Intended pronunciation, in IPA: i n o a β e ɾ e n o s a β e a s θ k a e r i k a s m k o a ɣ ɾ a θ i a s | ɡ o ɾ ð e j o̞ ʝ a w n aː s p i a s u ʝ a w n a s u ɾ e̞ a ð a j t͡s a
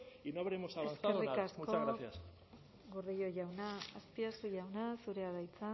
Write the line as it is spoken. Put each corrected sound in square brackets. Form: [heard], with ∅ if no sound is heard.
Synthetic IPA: i n o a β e ɾ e [m] o s a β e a s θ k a e r i k a s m k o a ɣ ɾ a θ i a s | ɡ o ɾ ð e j o̞ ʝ a w n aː s p i a s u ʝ a w n a s u ɾ e̞ a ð a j t͡s a